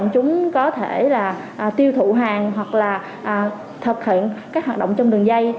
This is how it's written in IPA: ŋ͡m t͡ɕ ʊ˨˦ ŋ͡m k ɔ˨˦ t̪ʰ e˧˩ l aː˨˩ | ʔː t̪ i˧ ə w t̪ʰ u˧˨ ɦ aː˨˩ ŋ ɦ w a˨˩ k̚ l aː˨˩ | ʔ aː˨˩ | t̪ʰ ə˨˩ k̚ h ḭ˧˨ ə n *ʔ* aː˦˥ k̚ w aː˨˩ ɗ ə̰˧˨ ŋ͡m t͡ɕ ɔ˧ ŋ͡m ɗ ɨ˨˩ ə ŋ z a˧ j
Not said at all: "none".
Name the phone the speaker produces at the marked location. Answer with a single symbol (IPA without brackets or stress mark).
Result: k